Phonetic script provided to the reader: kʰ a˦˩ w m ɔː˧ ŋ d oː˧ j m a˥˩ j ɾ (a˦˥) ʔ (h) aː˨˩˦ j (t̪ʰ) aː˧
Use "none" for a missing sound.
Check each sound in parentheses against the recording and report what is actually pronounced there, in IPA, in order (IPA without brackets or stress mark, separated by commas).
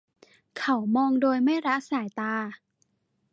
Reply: a˦˥, s, t̪